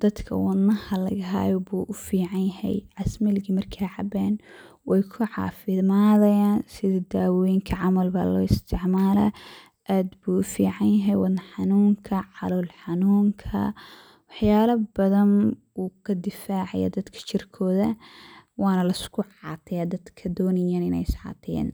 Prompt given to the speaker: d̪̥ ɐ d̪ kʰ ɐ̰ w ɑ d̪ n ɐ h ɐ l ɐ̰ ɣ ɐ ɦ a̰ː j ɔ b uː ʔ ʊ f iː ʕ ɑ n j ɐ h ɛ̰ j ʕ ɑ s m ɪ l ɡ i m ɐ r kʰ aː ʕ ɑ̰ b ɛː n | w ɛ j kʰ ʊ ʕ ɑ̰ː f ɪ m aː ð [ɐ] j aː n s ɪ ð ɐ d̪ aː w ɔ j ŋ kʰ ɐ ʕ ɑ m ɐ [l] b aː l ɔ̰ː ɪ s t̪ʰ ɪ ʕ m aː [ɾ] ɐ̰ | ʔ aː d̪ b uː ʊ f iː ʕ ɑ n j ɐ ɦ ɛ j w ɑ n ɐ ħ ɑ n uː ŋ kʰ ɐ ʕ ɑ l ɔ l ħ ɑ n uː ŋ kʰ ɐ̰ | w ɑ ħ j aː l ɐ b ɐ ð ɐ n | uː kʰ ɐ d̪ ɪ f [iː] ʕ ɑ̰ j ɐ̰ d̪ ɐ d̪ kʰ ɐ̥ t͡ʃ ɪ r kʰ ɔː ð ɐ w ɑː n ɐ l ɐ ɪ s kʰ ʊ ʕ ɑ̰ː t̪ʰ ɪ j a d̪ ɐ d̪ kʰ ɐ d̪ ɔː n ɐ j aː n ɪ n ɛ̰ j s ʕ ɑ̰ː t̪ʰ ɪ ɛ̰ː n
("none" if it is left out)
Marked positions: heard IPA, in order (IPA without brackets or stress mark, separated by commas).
ɐ, l, l, aː